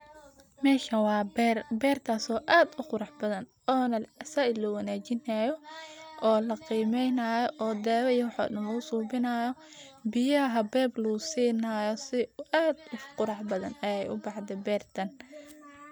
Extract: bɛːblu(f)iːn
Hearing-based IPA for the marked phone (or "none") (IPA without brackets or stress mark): s